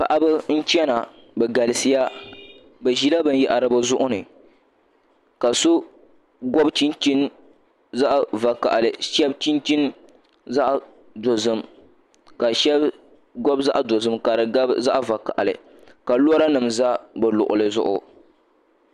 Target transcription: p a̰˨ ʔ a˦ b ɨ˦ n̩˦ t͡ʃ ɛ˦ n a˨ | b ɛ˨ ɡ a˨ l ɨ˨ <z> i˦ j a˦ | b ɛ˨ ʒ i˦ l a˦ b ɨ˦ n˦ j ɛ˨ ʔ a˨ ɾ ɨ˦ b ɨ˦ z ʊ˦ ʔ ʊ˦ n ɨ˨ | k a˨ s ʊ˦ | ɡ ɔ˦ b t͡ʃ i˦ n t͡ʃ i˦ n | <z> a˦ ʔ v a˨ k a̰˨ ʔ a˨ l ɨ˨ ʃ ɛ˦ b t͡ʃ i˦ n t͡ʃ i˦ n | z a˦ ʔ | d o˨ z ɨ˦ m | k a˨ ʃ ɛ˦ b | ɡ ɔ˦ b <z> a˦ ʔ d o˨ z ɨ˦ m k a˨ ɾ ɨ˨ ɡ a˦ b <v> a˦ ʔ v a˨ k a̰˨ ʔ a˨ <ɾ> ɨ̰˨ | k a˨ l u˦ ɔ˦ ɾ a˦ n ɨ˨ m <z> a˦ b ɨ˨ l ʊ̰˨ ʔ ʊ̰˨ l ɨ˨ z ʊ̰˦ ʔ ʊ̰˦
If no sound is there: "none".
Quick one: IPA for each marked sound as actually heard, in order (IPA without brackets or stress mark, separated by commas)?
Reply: s, z, z, z, l, z